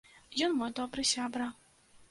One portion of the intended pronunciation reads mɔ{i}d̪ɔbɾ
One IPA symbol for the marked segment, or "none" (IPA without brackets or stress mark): j